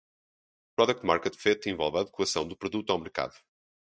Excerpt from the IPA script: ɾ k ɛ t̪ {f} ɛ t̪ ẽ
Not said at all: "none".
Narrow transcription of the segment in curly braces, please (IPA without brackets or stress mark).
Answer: f